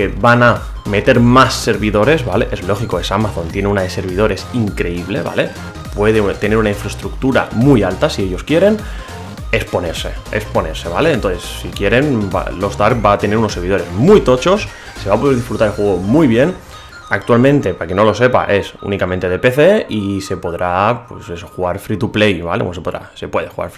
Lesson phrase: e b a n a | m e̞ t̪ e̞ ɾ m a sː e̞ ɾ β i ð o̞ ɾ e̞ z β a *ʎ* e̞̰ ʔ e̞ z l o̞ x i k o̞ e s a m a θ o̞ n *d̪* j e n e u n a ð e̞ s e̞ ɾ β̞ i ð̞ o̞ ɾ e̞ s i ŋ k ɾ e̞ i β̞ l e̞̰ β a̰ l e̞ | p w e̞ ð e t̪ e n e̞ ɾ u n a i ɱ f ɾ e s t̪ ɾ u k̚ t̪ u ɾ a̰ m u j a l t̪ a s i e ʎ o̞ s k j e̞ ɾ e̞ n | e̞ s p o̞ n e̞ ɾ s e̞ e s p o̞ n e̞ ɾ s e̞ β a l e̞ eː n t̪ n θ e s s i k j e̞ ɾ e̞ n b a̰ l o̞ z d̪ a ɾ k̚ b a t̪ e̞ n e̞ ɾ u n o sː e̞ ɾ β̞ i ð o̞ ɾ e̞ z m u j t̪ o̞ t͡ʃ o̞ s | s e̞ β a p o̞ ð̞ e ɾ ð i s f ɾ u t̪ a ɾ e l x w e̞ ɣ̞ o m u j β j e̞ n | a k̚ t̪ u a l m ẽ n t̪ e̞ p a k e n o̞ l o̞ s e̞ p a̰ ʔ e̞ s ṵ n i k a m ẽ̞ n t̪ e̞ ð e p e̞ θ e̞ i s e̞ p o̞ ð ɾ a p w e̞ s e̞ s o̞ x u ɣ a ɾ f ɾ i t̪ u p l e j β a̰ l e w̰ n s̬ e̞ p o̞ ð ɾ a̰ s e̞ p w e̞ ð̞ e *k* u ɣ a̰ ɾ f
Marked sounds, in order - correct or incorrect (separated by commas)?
incorrect, incorrect, incorrect